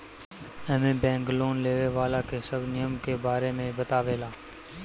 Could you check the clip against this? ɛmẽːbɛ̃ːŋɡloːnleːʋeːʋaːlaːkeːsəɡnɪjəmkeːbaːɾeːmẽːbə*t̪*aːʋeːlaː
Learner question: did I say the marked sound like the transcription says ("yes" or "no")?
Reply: yes